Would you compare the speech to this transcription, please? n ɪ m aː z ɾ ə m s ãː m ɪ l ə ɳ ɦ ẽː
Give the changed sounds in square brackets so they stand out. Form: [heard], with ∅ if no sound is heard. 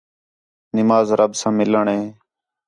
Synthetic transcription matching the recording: n ɪ m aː z ɾ ə [b] s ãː m ɪ l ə ɳ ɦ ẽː